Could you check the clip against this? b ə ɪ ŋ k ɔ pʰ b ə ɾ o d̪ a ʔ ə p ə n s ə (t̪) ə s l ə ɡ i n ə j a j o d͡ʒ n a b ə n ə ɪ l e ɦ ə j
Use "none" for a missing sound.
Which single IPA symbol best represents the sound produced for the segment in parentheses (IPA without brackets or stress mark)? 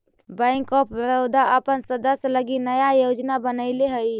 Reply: d̪